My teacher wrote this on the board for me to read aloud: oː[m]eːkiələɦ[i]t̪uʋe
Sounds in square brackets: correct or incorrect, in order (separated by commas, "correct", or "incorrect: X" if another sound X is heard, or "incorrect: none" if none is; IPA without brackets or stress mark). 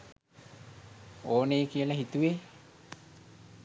incorrect: n, correct